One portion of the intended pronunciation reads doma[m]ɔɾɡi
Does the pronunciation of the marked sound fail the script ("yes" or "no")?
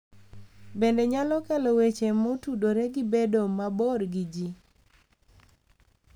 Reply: yes